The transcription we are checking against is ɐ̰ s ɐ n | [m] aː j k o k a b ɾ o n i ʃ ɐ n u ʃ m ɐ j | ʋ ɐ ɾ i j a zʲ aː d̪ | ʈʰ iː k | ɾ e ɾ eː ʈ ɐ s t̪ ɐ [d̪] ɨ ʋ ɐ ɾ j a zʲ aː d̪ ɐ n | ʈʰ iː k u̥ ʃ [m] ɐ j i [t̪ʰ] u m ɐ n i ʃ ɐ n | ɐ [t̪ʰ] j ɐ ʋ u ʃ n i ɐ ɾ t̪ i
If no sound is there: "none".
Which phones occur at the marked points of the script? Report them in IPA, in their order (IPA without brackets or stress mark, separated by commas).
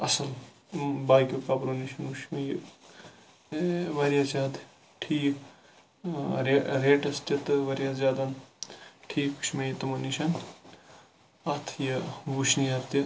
b, t̪, m, t̪, t̪ʰ